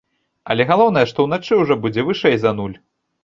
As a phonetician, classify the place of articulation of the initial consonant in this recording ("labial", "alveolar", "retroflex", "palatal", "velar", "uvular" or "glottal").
alveolar